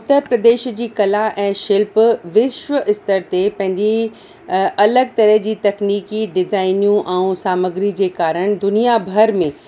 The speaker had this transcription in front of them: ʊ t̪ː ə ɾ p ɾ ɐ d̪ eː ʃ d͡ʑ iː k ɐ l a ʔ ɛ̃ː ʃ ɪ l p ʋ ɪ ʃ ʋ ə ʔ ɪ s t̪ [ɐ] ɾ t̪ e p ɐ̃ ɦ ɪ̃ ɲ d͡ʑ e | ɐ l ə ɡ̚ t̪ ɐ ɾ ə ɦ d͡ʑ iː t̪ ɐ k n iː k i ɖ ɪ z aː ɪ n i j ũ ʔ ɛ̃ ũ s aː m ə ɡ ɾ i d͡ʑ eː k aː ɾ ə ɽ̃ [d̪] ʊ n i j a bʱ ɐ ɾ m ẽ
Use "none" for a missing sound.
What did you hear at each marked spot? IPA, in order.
ə, d̪

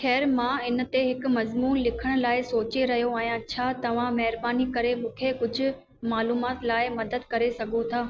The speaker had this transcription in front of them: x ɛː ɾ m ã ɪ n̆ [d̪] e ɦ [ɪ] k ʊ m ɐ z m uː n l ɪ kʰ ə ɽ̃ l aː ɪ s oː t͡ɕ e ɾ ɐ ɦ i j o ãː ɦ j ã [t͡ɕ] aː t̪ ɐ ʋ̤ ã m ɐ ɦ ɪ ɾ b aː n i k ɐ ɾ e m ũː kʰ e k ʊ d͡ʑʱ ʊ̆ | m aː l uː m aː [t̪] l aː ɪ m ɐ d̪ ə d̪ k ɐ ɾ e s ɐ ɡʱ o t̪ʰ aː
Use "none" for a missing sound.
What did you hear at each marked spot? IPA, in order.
t̪, ɪ, t͡ɕʰ, t̪

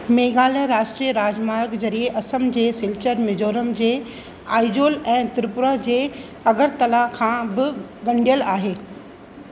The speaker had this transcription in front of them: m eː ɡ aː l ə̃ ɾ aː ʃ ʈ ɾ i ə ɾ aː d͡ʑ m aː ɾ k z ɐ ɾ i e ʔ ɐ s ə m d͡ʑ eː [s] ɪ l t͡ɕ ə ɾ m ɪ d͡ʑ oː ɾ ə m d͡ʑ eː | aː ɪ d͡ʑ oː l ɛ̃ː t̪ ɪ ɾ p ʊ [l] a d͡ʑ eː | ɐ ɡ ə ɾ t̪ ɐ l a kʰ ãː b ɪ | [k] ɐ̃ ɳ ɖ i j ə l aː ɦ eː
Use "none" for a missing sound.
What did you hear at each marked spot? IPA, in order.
s, ɾ, ɡ

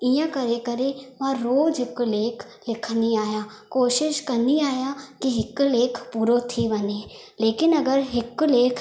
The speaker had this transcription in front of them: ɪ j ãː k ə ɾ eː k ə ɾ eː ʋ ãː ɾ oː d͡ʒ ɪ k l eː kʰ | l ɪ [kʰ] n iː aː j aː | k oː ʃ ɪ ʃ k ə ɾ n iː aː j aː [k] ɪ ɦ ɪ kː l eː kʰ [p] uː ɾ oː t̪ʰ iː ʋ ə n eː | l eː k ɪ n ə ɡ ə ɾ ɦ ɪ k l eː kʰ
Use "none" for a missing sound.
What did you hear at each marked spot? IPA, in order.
kʰ, k, p

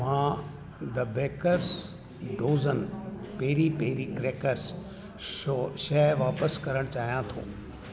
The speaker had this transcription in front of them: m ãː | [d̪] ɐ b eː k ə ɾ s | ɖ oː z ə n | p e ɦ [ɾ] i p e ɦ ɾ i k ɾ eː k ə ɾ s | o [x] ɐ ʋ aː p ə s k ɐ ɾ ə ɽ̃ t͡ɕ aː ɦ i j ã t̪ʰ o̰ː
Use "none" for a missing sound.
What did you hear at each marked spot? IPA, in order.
d̪, ɾ, ʃ

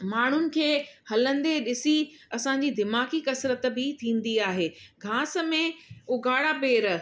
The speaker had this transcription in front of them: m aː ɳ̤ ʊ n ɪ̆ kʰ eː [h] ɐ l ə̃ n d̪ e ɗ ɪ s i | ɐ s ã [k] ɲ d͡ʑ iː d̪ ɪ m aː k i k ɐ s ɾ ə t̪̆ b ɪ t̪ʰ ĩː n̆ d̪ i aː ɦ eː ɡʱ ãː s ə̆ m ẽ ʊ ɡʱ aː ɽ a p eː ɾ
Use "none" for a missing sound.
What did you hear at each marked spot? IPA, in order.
h, none

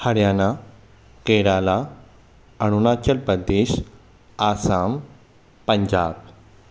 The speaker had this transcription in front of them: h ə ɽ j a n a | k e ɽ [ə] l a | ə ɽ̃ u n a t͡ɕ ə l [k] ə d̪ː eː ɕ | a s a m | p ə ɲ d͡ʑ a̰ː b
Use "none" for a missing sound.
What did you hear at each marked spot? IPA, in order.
a, p

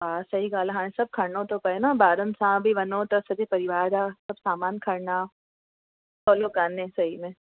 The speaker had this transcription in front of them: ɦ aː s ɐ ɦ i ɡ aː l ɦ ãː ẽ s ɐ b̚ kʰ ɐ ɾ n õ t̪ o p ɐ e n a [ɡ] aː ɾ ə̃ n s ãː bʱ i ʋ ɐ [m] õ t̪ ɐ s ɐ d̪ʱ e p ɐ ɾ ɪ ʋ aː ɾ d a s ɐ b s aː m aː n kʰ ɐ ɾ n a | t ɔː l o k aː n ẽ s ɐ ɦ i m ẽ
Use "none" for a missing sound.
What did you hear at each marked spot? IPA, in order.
b, n

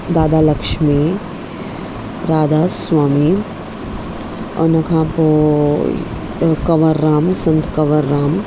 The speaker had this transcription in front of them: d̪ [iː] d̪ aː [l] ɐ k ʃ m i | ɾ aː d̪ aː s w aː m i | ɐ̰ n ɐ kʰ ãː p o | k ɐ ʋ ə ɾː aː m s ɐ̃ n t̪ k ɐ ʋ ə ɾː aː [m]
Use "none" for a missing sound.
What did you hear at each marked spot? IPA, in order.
aː, l, m

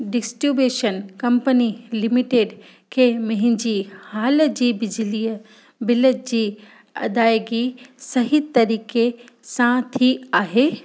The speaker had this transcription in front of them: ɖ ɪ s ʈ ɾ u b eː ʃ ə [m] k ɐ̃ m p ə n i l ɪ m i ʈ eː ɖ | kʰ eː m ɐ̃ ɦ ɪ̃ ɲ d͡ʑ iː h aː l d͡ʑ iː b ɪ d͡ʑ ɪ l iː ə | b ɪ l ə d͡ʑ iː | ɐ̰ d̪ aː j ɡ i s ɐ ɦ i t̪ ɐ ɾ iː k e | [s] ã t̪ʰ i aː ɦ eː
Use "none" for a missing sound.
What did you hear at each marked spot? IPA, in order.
n, s

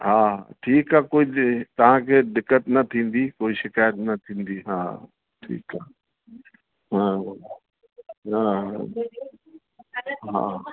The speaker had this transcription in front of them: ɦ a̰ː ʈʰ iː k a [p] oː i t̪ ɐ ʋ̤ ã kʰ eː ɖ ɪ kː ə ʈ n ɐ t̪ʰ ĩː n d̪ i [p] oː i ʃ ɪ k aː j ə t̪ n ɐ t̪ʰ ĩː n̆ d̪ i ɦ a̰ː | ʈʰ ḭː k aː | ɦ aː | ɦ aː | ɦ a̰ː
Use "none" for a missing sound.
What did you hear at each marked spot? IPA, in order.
k, k

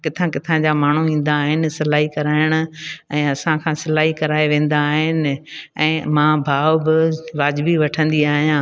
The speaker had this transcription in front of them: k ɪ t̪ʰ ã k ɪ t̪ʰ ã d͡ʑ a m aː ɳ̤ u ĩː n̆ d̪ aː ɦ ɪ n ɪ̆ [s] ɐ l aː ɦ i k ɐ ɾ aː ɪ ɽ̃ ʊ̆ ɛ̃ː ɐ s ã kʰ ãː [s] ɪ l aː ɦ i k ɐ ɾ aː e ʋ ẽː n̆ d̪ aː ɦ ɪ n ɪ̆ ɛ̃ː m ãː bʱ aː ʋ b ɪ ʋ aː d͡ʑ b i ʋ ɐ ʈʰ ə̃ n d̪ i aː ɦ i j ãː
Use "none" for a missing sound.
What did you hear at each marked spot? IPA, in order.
s, s

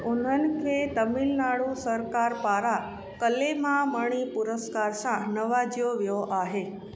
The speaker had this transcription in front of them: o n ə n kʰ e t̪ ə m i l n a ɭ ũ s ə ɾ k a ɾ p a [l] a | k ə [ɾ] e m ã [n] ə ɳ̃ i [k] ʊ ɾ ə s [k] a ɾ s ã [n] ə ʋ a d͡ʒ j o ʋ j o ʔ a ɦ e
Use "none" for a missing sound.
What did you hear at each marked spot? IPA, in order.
ɾ, l, m, p, k, n

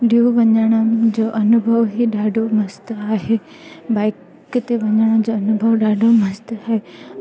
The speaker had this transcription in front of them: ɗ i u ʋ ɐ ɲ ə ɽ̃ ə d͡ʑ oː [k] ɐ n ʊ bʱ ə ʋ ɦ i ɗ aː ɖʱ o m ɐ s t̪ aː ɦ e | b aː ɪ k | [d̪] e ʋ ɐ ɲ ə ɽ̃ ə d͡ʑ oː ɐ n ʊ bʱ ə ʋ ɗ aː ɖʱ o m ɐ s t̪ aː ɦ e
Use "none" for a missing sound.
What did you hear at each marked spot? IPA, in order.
ʔ, t̪

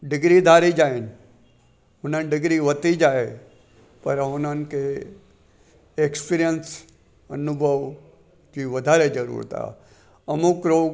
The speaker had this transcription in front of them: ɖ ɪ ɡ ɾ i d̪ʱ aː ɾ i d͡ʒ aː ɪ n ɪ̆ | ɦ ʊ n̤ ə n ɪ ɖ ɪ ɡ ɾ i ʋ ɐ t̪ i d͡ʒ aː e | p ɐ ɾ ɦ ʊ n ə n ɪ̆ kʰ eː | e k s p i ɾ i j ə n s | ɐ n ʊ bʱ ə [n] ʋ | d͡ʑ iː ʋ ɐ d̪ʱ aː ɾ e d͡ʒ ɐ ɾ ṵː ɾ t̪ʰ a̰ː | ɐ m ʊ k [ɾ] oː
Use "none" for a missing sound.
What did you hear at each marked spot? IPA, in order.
none, ɾ

